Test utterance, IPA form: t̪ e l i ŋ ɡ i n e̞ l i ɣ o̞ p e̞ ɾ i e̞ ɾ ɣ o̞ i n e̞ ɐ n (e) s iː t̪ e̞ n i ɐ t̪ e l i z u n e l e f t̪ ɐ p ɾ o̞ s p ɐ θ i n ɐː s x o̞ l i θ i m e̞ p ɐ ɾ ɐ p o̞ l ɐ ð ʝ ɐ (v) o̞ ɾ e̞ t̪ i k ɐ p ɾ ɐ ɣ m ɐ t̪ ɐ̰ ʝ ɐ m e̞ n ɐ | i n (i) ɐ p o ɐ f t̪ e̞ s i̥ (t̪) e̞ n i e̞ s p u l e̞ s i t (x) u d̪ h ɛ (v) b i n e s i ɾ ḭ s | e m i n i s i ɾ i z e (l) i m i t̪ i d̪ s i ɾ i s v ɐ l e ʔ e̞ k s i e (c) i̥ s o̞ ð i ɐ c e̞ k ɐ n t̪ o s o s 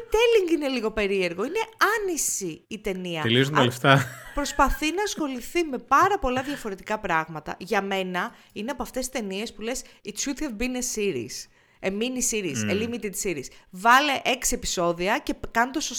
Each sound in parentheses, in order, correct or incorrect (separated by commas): incorrect, incorrect, incorrect, correct, incorrect, correct, correct, incorrect